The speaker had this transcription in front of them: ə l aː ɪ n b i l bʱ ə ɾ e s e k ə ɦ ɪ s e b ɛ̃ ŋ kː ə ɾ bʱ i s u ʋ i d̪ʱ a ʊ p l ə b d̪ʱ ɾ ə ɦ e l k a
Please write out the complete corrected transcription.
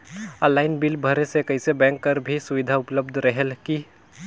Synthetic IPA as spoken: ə l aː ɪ n b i l bʱ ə ɾ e s e k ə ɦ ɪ s e b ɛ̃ ŋ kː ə ɾ bʱ i s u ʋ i d̪ʱ a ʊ p l ə b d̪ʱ ɾ ə ɦ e l k i

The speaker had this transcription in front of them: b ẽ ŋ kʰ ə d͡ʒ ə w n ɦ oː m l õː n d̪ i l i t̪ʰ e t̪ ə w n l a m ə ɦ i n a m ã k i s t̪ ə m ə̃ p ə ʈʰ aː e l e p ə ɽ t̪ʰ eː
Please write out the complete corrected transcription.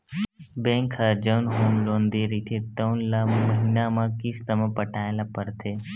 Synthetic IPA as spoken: b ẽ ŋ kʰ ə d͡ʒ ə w n ɦ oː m l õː n d̪ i ɾ i t̪ʰ e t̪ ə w n l a m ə ɦ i n a m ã k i s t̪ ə m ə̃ p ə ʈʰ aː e l a p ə ɾ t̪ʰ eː

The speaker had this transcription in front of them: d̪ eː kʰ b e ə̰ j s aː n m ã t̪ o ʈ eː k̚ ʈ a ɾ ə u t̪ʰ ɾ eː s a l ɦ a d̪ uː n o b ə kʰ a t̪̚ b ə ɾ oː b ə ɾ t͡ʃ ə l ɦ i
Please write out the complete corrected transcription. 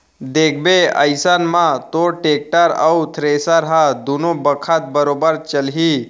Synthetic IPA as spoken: d̪ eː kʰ b e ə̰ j s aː n m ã t̪ o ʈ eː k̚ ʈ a ɾ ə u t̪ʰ ɾ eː s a ɾ ɦ a d̪ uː n o b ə kʰ a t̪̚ b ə ɾ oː b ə ɾ t͡ʃ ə l ɦ i

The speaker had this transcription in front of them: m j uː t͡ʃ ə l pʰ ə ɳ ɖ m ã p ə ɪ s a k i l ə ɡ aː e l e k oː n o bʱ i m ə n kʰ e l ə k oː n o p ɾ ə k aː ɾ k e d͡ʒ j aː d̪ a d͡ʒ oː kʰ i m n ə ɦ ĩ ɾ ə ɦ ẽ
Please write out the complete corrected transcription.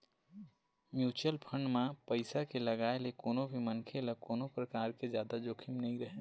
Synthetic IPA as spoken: m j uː t͡ʃ ə l pʰ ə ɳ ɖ m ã p ə ɪ s a k e l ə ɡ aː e l e k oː n o bʱ i m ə n kʰ e l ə k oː n o p ɾ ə k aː ɾ k e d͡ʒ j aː d̪ a d͡ʒ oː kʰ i m n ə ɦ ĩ ɾ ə ɦ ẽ

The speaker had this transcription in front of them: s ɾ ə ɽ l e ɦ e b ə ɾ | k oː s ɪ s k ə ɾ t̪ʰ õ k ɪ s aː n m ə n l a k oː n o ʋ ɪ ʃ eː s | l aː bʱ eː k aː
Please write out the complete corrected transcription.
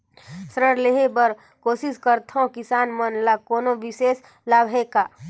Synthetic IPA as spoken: s ɾ ə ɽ l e ɦ e b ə ɾ | k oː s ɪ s k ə ɾ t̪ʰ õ k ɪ s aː n m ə n l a k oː n o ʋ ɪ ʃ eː s | l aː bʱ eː k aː

